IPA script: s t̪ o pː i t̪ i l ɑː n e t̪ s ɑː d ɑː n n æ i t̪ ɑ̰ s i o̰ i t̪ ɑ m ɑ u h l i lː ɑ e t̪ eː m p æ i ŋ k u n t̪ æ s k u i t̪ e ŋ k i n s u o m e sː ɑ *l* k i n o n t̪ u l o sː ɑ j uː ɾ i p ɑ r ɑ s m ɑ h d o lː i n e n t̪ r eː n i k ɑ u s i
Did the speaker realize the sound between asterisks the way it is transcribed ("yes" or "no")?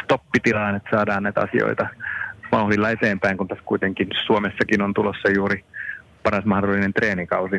no